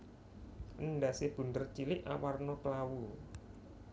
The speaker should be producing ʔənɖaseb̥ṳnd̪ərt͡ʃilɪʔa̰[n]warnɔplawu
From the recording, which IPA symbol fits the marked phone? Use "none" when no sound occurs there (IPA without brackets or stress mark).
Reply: none